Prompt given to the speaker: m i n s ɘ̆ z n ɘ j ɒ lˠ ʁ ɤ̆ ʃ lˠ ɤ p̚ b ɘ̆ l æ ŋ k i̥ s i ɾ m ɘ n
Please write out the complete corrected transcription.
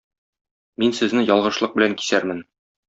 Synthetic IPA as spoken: m i n s ɘ̆ z n ɘ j ɒ lˠ ʁ ɤ̆ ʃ lˠ ɤ q̚ b ɘ̆ l æ ŋ k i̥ s æ ɾ m ɘ n